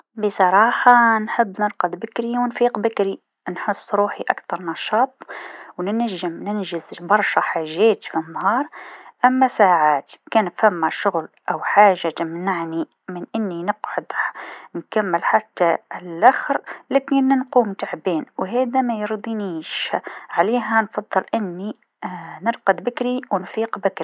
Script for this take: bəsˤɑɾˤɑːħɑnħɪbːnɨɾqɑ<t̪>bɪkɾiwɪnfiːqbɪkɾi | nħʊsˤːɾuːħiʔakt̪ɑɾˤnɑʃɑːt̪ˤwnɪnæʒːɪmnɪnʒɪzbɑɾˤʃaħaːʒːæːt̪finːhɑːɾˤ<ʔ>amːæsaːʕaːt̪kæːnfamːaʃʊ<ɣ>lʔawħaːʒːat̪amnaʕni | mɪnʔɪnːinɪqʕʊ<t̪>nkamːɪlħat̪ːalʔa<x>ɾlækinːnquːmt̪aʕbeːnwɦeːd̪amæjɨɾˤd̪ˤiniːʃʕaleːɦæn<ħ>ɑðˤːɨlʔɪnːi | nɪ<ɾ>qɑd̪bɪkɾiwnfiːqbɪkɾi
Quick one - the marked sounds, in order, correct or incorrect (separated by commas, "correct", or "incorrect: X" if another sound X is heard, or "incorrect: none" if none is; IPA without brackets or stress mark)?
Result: incorrect: d̪, correct, correct, incorrect: d̪, correct, incorrect: f, correct